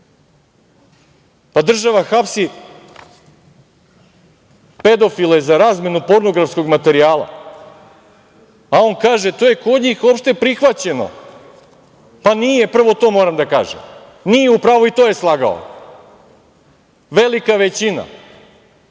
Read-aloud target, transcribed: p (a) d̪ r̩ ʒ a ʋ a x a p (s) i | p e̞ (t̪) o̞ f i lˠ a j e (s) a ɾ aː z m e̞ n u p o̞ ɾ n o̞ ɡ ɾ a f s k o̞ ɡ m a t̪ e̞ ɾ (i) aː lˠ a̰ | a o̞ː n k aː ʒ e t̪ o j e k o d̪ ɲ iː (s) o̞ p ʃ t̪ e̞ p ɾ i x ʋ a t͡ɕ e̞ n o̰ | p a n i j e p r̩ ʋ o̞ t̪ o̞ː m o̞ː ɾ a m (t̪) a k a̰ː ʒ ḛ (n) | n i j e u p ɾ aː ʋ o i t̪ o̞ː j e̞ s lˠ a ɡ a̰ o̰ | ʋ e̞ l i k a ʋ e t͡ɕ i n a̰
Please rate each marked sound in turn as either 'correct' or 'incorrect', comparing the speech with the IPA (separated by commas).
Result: correct, correct, incorrect, incorrect, correct, incorrect, incorrect, incorrect